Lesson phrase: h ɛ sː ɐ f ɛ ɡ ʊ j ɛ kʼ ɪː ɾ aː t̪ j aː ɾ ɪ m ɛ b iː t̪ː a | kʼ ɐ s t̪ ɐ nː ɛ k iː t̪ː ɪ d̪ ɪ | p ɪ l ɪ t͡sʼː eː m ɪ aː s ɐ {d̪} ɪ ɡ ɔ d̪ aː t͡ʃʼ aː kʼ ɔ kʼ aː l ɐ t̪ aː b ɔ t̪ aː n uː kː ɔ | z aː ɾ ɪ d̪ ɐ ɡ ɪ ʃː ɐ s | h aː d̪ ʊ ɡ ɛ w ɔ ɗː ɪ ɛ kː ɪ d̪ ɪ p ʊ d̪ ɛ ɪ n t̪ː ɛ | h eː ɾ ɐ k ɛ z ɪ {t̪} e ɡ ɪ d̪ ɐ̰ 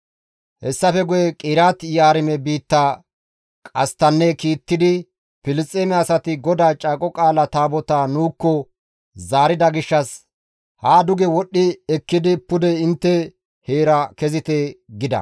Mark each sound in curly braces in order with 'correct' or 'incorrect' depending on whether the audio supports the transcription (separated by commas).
incorrect, correct